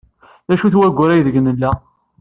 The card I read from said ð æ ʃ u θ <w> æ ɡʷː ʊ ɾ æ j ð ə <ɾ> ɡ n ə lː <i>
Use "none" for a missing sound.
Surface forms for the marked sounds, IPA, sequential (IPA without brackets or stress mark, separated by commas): w, none, æ